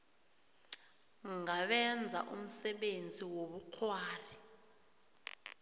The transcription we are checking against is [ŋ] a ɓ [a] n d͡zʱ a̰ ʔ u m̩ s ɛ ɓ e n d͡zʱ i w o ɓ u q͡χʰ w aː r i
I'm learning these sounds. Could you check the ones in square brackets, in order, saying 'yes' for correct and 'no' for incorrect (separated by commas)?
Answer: yes, no